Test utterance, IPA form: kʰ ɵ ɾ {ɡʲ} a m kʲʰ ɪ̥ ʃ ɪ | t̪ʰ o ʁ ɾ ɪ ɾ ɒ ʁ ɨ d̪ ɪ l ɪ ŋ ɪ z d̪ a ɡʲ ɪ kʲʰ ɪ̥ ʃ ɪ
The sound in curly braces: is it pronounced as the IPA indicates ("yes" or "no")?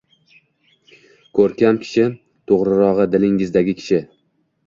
no